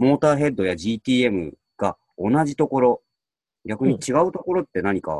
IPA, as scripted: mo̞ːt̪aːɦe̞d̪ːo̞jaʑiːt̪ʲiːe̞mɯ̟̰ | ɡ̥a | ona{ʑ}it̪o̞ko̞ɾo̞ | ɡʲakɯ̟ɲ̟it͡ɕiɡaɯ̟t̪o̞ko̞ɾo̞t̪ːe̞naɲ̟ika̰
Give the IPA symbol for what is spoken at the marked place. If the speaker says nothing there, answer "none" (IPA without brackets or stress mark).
ʑ